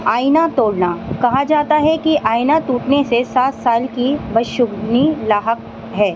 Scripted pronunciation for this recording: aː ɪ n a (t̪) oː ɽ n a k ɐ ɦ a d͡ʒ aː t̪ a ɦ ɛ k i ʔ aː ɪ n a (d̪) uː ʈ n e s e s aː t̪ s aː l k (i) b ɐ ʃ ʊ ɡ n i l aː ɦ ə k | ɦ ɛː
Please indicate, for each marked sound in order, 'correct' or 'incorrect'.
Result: correct, incorrect: t̪, correct

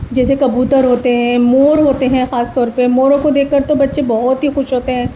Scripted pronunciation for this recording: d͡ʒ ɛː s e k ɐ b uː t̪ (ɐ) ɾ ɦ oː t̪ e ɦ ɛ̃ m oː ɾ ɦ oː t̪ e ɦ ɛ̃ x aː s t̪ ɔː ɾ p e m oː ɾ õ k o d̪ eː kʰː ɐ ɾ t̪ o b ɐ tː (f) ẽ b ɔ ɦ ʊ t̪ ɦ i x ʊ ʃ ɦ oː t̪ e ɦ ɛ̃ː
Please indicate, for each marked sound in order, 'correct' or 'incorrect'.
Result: incorrect: ə, incorrect: ʃ

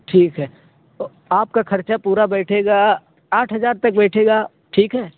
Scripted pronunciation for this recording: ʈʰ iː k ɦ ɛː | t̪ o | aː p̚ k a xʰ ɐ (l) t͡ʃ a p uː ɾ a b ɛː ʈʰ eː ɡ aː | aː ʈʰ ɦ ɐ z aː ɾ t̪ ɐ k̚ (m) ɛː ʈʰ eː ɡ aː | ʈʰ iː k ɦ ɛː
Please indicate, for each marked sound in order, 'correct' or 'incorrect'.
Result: incorrect: ɾ, incorrect: b

